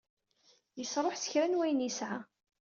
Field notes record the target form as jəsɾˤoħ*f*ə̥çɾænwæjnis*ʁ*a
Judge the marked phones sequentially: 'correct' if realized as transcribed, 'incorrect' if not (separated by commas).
incorrect, incorrect